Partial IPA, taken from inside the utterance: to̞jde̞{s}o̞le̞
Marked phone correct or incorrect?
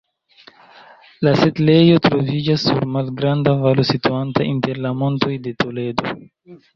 incorrect